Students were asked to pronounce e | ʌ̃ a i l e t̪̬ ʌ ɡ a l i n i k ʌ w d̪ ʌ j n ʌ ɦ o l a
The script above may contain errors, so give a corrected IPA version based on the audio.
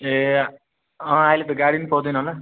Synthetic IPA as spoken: e | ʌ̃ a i l e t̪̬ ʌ ɡ a ɽ i n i p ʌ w d̪ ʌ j n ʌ ɦ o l a